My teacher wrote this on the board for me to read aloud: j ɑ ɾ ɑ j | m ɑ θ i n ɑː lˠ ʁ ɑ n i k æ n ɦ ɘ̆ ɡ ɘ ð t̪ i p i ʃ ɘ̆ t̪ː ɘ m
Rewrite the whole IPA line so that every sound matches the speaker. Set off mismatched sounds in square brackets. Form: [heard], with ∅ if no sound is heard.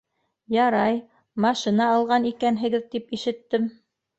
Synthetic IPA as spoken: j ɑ ɾ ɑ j | m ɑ [ʃ] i n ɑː lˠ ʁ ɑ n i k æ n ɦ ɘ̆ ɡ ɘ ð t̪ i p i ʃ ɘ̆ t̪ː ɘ m